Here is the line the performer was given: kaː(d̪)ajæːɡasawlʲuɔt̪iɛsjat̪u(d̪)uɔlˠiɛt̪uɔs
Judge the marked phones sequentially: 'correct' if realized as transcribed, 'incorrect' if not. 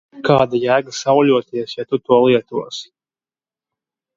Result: correct, incorrect: t̪

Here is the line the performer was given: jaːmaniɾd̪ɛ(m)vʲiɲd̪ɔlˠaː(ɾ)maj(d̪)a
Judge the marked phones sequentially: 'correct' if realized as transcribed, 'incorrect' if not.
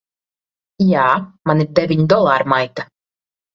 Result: incorrect: none, correct, incorrect: t̪

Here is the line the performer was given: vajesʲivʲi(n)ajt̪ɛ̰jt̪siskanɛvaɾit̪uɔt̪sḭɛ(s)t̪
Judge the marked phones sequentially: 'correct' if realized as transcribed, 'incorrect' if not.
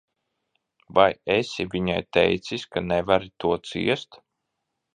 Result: incorrect: ɲ, correct

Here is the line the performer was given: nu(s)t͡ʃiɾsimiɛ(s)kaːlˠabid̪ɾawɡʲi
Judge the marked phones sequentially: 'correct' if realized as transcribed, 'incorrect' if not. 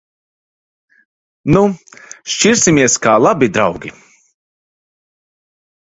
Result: incorrect: ʃ, correct

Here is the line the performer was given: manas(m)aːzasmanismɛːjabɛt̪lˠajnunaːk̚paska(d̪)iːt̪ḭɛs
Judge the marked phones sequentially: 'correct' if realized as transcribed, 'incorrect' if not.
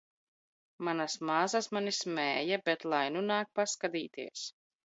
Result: correct, correct

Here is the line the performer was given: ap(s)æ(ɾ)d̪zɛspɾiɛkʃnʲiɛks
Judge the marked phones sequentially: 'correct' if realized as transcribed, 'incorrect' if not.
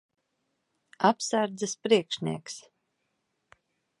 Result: correct, correct

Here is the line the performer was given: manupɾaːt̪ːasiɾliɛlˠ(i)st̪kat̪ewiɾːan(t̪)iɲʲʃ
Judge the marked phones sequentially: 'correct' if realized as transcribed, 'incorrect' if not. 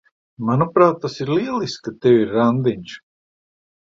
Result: correct, incorrect: d̪

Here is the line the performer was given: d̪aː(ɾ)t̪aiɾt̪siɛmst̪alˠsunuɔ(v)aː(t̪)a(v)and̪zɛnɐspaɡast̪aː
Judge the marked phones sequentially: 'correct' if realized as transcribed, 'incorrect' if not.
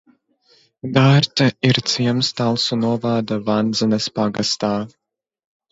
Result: correct, correct, incorrect: d̪, correct

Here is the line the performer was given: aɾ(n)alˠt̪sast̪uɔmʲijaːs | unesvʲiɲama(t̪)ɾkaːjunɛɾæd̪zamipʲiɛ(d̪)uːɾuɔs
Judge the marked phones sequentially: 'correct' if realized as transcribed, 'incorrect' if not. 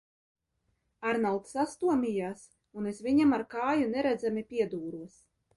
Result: correct, incorrect: none, correct

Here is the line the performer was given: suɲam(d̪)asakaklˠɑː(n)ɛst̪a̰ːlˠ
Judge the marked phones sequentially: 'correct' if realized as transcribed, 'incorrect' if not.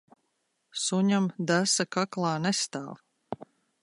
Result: correct, correct

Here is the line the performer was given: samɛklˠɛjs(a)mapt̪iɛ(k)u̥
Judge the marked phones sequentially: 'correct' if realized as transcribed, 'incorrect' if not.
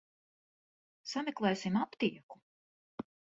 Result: incorrect: i, correct

